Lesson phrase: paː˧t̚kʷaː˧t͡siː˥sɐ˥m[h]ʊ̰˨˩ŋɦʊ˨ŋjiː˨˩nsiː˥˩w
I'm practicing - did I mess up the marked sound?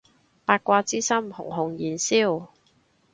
no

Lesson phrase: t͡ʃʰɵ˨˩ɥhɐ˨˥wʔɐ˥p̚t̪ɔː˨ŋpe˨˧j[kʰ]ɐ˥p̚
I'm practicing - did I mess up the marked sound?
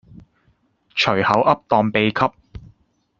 no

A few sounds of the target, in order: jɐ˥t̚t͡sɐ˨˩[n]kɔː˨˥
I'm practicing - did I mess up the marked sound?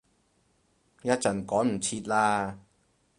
no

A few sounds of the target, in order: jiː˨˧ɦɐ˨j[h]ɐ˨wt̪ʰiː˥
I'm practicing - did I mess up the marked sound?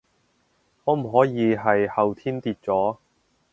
no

